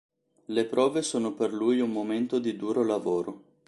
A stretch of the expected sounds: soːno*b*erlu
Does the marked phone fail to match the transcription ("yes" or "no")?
yes